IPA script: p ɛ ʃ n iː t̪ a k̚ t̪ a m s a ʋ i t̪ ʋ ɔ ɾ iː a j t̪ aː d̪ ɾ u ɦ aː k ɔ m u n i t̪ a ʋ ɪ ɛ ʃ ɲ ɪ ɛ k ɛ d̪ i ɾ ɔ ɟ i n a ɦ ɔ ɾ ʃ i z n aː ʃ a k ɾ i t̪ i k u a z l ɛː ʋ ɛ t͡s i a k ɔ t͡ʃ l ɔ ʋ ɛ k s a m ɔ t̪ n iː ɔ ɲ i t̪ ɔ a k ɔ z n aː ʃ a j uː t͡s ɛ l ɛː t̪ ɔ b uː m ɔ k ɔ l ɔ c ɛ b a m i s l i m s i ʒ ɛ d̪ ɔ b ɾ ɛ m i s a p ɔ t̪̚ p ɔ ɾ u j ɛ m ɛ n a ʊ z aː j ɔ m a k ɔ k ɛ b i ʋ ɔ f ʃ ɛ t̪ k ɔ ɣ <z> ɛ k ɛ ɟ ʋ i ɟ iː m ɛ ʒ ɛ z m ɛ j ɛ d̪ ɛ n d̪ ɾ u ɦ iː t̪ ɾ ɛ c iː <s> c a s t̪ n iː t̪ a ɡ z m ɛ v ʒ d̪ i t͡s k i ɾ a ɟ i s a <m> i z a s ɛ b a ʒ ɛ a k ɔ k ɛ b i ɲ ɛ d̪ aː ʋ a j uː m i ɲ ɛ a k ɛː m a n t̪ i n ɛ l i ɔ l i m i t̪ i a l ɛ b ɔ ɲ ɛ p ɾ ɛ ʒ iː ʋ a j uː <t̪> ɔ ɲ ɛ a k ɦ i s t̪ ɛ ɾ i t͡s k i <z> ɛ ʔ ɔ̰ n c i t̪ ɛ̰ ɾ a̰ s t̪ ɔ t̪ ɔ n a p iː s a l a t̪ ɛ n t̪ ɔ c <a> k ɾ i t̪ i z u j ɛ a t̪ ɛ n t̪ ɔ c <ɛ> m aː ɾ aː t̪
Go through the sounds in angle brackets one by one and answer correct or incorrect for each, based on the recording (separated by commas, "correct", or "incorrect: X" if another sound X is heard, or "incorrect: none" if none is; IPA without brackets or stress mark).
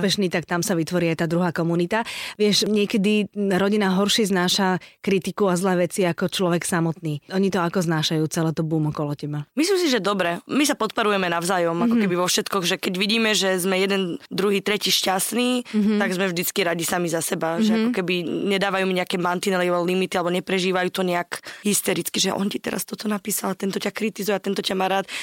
incorrect: ʒ, incorrect: ʃ, correct, correct, incorrect: ʒ, correct, incorrect: a